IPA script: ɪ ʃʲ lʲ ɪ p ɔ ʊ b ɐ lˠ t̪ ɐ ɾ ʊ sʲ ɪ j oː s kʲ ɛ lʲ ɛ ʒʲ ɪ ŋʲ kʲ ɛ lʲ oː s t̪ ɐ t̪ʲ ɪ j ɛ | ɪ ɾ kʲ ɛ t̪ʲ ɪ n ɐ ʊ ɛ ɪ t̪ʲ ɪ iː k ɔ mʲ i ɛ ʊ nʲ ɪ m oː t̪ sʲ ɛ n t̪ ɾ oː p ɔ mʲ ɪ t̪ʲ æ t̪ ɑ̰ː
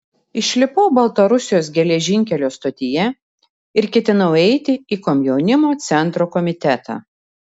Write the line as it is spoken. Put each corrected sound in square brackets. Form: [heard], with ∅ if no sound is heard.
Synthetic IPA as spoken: ɪ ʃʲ lʲ ɪ p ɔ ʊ b ɐ lˠ t̪ ɐ ɾ ʊ sʲ ɪ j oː s [ɡʲ] ɛ lʲ ɛ ʒʲ ɪ ŋʲ kʲ ɛ lʲ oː s t̪ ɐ t̪ʲ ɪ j ɛ | ɪ ɾ kʲ ɛ t̪ʲ ɪ n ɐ ʊ ɛ ɪ t̪ʲ ɪ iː k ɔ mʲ [j] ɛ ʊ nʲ ɪ m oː t̪ sʲ ɛ n t̪ ɾ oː [k] ɔ mʲ ɪ t̪ʲ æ t̪ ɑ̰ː